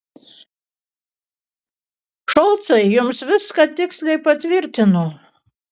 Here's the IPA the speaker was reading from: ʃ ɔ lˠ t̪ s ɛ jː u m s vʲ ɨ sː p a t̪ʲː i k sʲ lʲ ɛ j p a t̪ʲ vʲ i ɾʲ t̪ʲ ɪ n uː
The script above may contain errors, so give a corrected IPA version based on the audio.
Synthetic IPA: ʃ ɔ lˠ t̪ s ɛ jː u m s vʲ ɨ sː k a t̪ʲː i k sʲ lʲ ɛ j p a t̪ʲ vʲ i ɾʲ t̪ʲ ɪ n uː

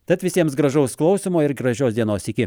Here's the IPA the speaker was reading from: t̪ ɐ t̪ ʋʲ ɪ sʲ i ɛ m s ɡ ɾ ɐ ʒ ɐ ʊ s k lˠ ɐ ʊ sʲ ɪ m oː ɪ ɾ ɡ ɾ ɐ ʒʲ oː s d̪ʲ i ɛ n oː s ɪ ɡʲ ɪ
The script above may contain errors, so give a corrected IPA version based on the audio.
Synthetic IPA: t̪ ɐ t̪ ʋʲ ɪ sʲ i ɛ m s ɡ ɾ ɐ ʒ ɐ ʊ s k lˠ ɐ ʊ sʲ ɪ m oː ɪ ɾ ɡ ɾ ɐ ʒʲ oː s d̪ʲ i ɛ n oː s ɪ kʲ ɪ

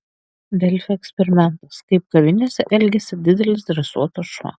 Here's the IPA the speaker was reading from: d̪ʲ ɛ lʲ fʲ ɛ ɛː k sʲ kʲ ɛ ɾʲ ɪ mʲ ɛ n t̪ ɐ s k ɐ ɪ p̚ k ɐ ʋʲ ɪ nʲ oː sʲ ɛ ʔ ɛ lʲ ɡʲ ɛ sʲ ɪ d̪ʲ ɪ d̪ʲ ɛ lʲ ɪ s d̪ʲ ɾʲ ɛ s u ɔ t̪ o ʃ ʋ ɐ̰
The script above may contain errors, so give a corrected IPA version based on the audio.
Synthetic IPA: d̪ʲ ɛ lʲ fʲ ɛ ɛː k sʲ pʲ ɛ ɾʲ ɪ mʲ ɛ n t̪ ɐ s k ɐ ɪ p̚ k ɐ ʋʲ ɪ nʲ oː sʲ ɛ ʔ ɛ lʲ ɡʲ ɛ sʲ ɪ d̪ʲ ɪ d̪ʲ ɛ lʲ ɪ s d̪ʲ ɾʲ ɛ s u ɔ t̪ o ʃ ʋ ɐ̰

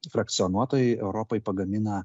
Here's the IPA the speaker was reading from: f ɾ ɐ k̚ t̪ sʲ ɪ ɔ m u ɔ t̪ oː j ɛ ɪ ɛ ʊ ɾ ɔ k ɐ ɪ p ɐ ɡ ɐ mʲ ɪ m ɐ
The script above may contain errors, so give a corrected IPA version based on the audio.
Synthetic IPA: f ɾ ɐ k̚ t̪ sʲ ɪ ɔ n u ɔ t̪ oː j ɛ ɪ ɛ ʊ ɾ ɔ p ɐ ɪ p ɐ ɡ ɐ mʲ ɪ n ɐ

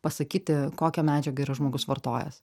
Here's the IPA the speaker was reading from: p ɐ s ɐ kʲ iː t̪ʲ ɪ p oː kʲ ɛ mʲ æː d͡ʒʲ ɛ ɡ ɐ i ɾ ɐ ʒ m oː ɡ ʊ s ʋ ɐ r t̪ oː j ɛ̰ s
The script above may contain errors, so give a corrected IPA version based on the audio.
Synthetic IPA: p ɐ s ɐ kʲ iː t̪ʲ ɪ k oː kʲ ɛ mʲ æː d͡ʒʲ ɛ ɡ ɐ i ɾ ɐ ʒ m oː ɡ ʊ s ʋ ɐ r t̪ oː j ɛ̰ s

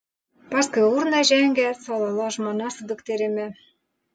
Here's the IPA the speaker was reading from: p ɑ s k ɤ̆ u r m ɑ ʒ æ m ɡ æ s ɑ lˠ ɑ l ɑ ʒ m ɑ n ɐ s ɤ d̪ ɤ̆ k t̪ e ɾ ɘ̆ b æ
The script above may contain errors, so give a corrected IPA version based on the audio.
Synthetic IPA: p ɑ s k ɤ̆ u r n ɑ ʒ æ ŋ ɡ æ s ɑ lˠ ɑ l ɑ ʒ m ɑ n ɑ s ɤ d̪ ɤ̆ k t̪ e ɾ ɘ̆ m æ

